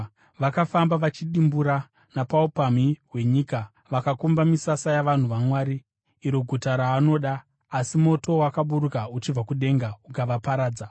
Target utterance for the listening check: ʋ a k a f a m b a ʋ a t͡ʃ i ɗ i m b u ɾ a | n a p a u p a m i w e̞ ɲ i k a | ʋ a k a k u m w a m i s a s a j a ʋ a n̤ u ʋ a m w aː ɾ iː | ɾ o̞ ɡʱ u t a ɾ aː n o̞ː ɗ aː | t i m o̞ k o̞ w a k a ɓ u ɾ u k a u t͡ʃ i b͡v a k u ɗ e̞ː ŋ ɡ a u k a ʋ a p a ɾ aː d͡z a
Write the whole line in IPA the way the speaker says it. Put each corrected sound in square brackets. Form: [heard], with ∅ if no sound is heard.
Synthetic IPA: ʋ a k a f a m b a ʋ a t͡ʃ i ɗ i m b u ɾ a | n a p a u p a m i w e̞ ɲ i k a | ʋ a k a k u m [b] a m i s a s a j a ʋ a n̤ u ʋ a m w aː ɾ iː | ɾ o̞ ɡʱ u t a ɾ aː n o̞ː ɗ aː | [s] i m o̞ [t] o̞ w a k a ɓ u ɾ u k a u t͡ʃ i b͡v a k u ɗ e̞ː ŋ ɡ a u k a ʋ a p a ɾ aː d͡z a

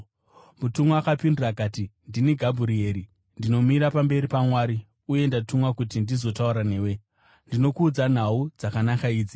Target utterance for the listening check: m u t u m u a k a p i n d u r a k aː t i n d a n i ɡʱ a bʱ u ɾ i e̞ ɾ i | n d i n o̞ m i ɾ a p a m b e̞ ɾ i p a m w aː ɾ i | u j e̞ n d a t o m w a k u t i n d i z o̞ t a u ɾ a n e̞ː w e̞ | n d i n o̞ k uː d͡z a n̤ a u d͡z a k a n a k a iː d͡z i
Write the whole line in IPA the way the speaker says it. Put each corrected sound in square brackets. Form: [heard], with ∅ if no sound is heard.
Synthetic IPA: m u t u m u a k a p i n d u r a k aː t i n d [i] n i ɡʱ a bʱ u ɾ i e̞ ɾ i | n d i n o̞ m i ɾ a p a m b e̞ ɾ i p a m w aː ɾ i | u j e̞ n d a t [u] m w a k u t i n d i z o̞ t a u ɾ a n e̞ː w e̞ | n d i n o̞ k uː d͡z a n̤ a u d͡z a k a n a k a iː d͡z i

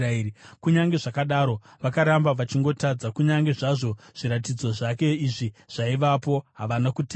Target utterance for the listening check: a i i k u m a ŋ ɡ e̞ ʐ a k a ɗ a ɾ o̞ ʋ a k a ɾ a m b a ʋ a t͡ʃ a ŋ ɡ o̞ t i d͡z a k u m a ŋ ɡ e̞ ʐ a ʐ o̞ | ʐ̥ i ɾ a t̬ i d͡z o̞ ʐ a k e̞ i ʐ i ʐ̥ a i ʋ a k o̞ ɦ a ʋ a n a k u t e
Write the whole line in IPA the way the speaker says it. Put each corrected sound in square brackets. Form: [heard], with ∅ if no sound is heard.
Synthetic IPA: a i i k u [ɲ] a ŋ ɡ e̞ ʐ a k a ɗ a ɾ o̞ ʋ a k a ɾ a m b a ʋ a t͡ʃ [i] ŋ ɡ o̞ t [a] d͡z a k u [ɲ] a ŋ ɡ e̞ ʐ a ʐ o̞ | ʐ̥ i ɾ a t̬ i d͡z o̞ ʐ a k e̞ i ʐ i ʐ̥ a i ʋ a [p] o̞ ɦ a ʋ a n a k u t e

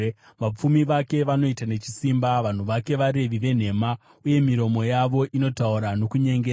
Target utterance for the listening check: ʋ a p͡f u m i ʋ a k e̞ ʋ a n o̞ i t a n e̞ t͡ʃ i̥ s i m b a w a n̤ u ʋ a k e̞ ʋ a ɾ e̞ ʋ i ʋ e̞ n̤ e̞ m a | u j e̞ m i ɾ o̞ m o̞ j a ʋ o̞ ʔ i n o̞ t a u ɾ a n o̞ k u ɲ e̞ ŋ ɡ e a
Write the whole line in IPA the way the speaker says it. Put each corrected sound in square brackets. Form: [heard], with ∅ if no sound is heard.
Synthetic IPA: ʋ a p͡f u m i ʋ a k e̞ ʋ a n o̞ i t a n e̞ t͡ʃ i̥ s i m b a [ʋ] a n̤ u ʋ a k e̞ ʋ a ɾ e̞ ʋ i ʋ e̞ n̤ e̞ m a | u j e̞ m i ɾ o̞ m o̞ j a ʋ o̞ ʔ i n o̞ t a u ɾ a n o̞ k u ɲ e̞ ŋ ɡ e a

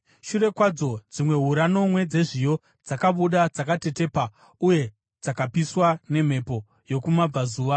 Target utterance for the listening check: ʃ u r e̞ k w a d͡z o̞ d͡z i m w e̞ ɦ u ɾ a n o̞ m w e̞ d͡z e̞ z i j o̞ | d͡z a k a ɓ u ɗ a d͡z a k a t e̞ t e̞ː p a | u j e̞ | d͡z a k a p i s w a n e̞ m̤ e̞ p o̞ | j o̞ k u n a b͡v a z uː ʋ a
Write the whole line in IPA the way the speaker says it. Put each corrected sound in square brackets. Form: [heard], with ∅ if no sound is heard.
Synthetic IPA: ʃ u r e̞ k w a d͡z o̞ d͡z i m w e̞ ɦ u ɾ a n o̞ m w e̞ d͡z e̞ [ʐ] i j o̞ | d͡z a k a ɓ u ɗ a d͡z a k a t e̞ t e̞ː p a | u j e̞ | d͡z a k a p i s w a n e̞ m̤ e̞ p o̞ | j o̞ k u [m] a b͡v a z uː ʋ a

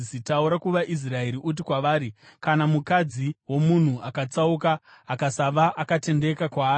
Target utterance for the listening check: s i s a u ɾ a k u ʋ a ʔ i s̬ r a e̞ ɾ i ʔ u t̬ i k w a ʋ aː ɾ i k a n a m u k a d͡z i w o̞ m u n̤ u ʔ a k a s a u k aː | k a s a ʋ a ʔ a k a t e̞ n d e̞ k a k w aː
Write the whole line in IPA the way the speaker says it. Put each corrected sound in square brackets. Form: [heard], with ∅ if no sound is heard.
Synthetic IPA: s i [t] a u ɾ a k u ʋ a ʔ i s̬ r a e̞ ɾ i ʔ u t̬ i k w a ʋ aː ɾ i k a n a m u k a d͡z i w o̞ m u n̤ u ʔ a k a [t͡s] a u k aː | k a s a ʋ a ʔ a k a t e̞ n d e̞ k a k w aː

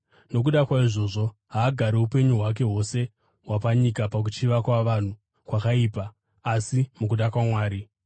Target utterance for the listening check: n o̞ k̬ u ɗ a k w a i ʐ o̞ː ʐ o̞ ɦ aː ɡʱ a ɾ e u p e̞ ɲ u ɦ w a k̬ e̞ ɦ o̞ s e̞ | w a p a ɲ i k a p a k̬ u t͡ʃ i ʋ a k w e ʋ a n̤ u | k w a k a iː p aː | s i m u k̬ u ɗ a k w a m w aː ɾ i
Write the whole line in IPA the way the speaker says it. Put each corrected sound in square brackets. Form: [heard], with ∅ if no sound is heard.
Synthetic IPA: n o̞ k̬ u ɗ a k w a i ʐ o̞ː ʐ o̞ ɦ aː ɡʱ a ɾ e u p e̞ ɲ u ɦ w a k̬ e̞ ɦ o̞ s e̞ | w a p a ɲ i k a p a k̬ u t͡ʃ i ʋ a k w [a] ʋ a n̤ u | k w a k a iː p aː | s i m u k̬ u ɗ a k w a m w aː ɾ i

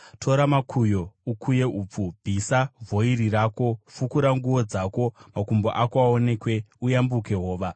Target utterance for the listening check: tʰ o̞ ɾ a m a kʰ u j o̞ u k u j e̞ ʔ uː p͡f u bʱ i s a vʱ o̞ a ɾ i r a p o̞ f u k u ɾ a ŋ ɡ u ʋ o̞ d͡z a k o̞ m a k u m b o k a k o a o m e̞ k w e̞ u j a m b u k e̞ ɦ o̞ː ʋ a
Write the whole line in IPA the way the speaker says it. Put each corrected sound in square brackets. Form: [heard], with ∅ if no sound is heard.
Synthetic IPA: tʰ o̞ ɾ a m a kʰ u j o̞ u k u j e̞ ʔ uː p͡f u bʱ i s a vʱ o̞ [i] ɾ i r a [k] o̞ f u k u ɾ a ŋ ɡ u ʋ o̞ d͡z a k o̞ m a k u m b o [ʔ] a k o a o [n] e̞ k w e̞ u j a m b u k e̞ ɦ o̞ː ʋ a

